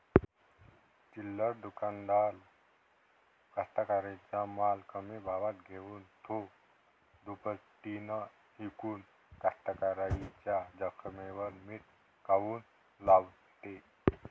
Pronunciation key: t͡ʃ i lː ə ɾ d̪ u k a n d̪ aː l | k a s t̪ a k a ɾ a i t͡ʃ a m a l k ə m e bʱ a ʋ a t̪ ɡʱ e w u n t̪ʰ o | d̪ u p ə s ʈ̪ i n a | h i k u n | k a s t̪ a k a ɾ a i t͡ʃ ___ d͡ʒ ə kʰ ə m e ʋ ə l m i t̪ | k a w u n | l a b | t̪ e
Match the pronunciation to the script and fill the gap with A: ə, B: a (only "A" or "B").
B